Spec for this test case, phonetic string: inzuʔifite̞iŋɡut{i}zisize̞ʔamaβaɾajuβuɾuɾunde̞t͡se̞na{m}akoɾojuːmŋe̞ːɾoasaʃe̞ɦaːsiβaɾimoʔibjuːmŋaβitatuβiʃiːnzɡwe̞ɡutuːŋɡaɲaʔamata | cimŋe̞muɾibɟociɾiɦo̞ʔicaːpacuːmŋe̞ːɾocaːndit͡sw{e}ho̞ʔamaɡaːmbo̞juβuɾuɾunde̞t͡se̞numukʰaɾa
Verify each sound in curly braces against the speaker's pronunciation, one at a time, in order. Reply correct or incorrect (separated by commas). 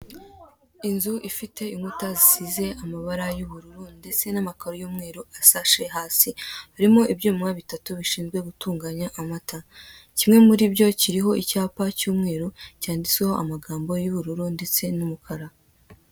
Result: incorrect, correct, correct